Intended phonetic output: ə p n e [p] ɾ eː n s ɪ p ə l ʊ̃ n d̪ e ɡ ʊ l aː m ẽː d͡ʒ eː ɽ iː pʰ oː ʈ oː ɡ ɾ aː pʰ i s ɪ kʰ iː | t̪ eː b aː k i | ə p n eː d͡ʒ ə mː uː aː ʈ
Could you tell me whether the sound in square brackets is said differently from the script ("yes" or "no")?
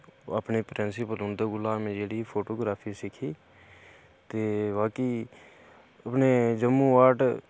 no